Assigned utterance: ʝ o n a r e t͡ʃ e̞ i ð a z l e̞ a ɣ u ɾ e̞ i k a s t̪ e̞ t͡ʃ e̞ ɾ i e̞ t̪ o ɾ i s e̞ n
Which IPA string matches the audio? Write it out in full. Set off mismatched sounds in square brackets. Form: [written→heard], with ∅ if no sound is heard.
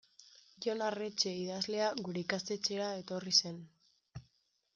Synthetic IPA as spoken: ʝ o n a r e t͡ʃ e̞ i ð a z l e̞ a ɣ u ɾ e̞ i k a s t̪ e̞ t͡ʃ e̞ ɾ [i→a] e̞ t̪ o [ɾ→r] i s e̞ n

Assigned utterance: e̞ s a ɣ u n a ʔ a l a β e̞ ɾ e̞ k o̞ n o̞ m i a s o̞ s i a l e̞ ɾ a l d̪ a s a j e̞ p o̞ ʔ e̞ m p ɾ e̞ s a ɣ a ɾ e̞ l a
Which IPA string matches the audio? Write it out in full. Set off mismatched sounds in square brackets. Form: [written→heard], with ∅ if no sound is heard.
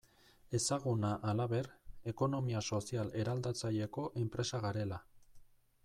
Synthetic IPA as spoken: e̞ s a ɣ u n a ʔ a l a β e̞ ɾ e̞ k o̞ n o̞ m i a s o̞ s i a l e̞ ɾ a l d̪ a [s→t͡s] a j e̞ [p→k] o̞ ʔ e̞ m p ɾ e̞ s a ɣ a ɾ e̞ l a

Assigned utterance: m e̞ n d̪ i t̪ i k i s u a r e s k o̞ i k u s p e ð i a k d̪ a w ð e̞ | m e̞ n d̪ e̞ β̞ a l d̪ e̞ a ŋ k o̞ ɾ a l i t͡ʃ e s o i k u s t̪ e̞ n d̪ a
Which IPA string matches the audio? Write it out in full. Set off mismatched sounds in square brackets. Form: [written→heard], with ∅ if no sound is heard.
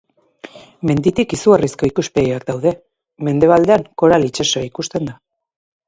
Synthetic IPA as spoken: m e̞ n d̪ i t̪ i k i s u a r [e→i] s k o̞ i k u s p e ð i a k d̪ a w ð e̞ | m e̞ n d̪ e̞ β̞ a l d̪ e̞ a ŋ k o̞ ɾ a l i t͡ʃ e s o i k u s t̪ e̞ n d̪ a

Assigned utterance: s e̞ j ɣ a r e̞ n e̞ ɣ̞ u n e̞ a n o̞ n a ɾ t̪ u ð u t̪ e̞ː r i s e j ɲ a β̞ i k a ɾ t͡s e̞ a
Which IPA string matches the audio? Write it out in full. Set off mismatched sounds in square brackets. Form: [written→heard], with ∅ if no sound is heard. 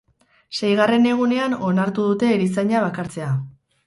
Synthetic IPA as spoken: s e̞ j ɣ a r e̞ n e̞ ɣ̞ u n e̞ a n o̞ n a ɾ t̪ u ð u t̪ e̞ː [r→ɾ] i s [e→a] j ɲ a β̞ [i→a] k a ɾ t͡s e̞ a

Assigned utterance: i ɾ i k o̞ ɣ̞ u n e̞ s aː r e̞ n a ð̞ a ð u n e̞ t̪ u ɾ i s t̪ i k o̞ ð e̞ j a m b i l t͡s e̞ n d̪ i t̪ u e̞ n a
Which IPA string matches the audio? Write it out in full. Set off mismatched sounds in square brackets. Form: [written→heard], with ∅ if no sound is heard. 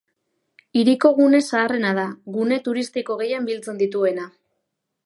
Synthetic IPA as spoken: i ɾ i k o̞ ɣ̞ u n e̞ s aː r e̞ n a ð̞ a [ð→ɣ] u n e̞ t̪ u ɾ i s t̪ i k o̞ [ð→ɣ] e̞ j a m b i l t͡s e̞ n d̪ i t̪ u e̞ n a

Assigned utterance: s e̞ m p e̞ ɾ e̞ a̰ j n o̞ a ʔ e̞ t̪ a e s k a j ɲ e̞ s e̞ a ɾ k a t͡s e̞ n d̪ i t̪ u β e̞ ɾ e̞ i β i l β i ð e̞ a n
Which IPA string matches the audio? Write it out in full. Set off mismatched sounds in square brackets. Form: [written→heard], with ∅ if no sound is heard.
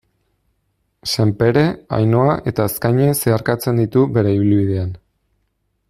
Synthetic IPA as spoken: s e̞ m p e̞ ɾ e̞ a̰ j n o̞ a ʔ e̞ t̪ a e s k a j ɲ e̞ s e̞ a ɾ k a t͡s e̞ n d̪ i t̪ u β e̞ ɾ e̞ i β i l β i ð e̞ a n

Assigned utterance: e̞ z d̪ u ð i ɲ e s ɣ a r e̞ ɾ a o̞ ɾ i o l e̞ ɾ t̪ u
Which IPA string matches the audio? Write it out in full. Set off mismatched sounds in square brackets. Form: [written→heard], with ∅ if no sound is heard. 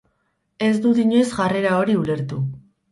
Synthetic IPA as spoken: e̞ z d̪ u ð i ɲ e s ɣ a r e̞ ɾ a o̞ ɾ i [o→u] l e̞ ɾ t̪ u

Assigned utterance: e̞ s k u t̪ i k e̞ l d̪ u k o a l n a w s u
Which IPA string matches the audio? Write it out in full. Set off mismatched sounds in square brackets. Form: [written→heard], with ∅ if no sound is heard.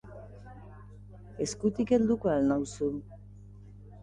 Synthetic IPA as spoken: e̞ s k u t̪ i k e̞ l d̪ u k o a l n a w s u

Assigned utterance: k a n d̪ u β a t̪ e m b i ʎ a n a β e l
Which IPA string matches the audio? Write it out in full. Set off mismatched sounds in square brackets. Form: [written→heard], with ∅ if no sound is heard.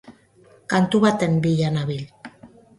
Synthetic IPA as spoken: k a n [d̪→t̪] u β a t̪ e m b i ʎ a n a β [e→i] l

